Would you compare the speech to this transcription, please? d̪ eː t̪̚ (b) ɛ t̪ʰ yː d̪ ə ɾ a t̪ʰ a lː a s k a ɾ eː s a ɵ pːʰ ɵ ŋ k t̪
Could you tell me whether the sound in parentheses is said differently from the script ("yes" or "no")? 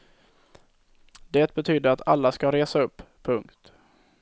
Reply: no